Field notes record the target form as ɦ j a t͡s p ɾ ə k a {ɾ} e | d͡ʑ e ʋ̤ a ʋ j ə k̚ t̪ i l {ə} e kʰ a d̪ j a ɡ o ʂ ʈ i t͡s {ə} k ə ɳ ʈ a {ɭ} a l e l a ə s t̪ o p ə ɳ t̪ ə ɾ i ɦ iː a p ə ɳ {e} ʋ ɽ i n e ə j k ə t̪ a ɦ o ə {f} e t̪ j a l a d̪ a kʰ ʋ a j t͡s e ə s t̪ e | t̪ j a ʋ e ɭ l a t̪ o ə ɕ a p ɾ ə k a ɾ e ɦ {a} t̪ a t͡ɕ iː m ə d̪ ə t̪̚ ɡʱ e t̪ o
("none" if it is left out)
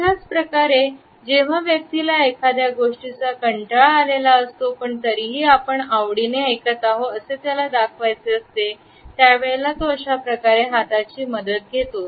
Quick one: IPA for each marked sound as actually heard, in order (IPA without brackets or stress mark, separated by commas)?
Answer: ɾ, a, a, ɭ, a, s, a